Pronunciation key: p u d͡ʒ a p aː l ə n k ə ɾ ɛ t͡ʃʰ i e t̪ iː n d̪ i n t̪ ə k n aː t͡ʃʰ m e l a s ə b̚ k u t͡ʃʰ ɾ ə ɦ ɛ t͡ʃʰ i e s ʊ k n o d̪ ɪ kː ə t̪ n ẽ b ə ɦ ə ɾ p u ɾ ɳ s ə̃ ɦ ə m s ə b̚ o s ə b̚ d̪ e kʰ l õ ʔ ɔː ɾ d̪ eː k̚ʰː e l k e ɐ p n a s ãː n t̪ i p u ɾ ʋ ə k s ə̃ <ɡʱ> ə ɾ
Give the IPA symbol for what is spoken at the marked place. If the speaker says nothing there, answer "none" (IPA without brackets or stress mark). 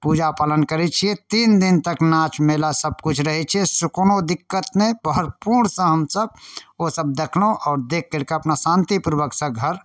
ɡʱ